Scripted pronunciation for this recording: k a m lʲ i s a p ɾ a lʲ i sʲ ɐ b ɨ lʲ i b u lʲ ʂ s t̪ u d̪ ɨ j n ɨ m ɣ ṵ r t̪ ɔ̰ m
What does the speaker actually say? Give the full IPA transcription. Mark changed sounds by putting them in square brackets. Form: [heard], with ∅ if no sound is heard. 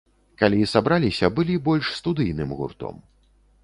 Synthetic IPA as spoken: k a [∅] lʲ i s a [b] ɾ a lʲ i sʲ ɐ b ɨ lʲ i b [ɔ] lʲ ʂ s t̪ u d̪ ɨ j n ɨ m ɣ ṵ r t̪ ɔ̰ m